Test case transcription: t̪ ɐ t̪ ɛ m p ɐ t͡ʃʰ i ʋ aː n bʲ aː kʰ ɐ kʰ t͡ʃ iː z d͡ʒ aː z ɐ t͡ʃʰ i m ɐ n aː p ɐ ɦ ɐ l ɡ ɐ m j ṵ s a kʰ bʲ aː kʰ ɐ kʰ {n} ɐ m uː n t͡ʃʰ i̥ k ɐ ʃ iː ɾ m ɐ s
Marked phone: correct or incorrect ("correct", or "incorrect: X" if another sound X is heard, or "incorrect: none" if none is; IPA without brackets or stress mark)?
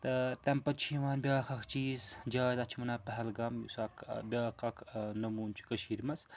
correct